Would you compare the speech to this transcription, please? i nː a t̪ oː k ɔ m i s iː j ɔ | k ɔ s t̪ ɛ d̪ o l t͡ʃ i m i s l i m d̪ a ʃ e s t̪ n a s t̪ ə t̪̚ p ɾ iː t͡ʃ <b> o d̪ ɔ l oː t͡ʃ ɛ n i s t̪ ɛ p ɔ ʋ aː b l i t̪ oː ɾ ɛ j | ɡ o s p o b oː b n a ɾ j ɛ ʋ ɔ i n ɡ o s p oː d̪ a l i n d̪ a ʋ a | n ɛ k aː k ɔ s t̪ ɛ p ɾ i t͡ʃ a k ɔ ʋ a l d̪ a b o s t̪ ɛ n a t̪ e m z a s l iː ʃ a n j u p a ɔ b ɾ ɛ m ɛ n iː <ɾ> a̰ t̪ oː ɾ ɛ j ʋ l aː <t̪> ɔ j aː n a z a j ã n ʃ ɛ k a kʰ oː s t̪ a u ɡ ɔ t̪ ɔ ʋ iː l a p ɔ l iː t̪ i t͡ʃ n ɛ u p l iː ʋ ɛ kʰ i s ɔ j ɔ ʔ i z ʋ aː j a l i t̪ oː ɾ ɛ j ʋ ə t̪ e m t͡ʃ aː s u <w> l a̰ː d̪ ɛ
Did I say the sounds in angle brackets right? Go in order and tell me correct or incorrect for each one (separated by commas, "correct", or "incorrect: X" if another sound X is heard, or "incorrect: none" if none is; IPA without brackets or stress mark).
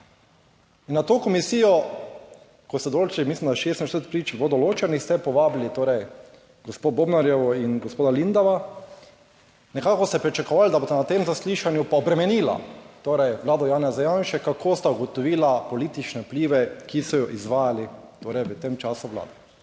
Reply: correct, incorrect: l, incorrect: d̪, incorrect: ʋ